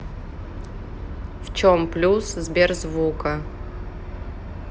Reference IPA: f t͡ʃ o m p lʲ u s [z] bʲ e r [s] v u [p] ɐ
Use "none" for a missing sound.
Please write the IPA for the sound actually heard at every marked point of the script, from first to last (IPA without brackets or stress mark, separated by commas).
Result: z, z, k